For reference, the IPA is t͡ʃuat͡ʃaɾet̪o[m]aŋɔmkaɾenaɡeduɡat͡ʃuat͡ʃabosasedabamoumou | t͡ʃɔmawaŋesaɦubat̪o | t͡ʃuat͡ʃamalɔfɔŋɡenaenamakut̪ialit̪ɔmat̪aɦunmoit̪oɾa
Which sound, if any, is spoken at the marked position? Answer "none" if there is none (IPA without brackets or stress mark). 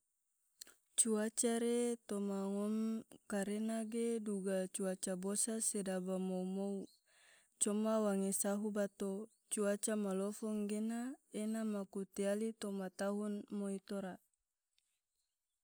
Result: m